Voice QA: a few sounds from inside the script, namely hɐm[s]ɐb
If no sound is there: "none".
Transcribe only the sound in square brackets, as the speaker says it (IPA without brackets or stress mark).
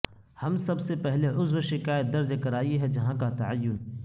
s